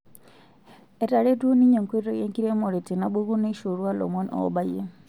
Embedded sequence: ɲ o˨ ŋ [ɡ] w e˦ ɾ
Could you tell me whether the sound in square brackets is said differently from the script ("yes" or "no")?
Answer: yes